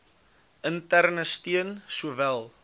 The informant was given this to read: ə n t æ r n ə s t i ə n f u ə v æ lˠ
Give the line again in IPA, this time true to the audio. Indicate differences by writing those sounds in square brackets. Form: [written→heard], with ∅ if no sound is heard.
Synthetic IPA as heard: ə n t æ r n ə s t i ə n [f→s] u ə v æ lˠ